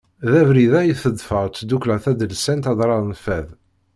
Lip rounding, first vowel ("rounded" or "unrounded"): unrounded